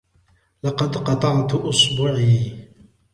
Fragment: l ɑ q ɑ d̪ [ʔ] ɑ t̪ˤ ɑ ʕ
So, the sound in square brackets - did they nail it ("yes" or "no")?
no